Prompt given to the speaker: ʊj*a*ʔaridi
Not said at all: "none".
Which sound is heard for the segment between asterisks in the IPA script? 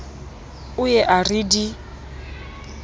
ɛ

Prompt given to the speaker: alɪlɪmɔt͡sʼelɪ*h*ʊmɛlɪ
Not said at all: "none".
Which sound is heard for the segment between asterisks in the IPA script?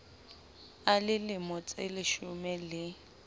ʃ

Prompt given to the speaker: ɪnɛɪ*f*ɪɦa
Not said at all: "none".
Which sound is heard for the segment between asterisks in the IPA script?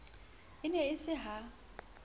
s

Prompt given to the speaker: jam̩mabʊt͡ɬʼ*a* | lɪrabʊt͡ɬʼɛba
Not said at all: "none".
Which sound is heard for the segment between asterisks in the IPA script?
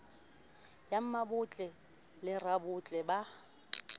ɛ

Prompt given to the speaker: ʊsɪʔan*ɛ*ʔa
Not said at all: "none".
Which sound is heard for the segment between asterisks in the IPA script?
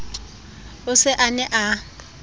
ɛ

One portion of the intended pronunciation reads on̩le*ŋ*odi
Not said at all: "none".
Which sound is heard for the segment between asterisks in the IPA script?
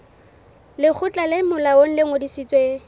ŋ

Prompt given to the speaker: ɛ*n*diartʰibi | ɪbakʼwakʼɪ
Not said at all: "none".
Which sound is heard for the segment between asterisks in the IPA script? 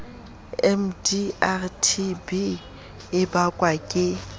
m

